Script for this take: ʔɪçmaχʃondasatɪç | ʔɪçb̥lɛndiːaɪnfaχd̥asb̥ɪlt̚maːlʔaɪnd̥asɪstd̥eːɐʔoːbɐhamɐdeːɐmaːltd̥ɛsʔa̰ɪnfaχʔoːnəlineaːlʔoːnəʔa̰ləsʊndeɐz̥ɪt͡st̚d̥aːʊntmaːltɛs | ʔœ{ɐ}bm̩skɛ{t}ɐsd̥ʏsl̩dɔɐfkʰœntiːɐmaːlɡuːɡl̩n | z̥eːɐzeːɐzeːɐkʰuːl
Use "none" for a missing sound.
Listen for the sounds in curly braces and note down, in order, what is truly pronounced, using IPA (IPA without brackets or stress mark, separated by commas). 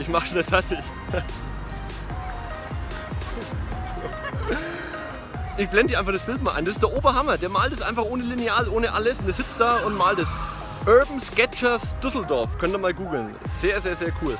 ɐ, t͡ʃ